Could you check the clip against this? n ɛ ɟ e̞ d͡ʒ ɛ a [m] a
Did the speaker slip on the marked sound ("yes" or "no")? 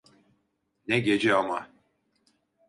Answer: no